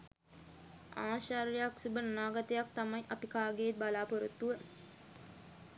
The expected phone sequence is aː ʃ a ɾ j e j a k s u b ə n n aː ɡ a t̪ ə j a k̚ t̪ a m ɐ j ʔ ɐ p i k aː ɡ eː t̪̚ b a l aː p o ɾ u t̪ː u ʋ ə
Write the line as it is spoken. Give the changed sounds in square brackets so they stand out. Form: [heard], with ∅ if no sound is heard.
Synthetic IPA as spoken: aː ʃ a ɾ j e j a k s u b ə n n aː ɡ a t̪ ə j a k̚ t̪ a m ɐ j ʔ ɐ p i k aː ɡ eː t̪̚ b a l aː p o ɾ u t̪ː u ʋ ə